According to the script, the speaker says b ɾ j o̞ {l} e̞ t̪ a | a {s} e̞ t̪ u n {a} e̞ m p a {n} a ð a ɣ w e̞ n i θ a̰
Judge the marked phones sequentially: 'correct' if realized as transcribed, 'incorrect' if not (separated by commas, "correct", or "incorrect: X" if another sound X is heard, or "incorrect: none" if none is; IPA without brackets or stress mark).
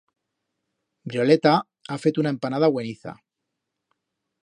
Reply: correct, incorrect: f, correct, correct